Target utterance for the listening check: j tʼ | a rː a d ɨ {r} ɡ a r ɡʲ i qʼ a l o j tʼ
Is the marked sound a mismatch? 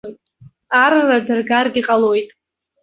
no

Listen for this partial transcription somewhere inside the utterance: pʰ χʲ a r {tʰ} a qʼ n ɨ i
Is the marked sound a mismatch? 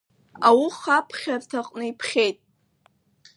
no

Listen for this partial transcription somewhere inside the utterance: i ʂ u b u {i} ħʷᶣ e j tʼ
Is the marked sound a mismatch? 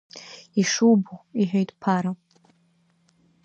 no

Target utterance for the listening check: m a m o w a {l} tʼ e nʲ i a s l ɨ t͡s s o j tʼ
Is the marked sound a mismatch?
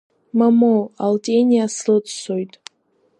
no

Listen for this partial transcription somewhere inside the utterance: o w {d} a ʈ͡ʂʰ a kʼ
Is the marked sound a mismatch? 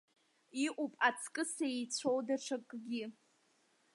no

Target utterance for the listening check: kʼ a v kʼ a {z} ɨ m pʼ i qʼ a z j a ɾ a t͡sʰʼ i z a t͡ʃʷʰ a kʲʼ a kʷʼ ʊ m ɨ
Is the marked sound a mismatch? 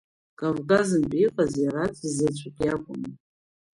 no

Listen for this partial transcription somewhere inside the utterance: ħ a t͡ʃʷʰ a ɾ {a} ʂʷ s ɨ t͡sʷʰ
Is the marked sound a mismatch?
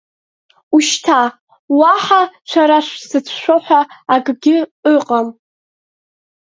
no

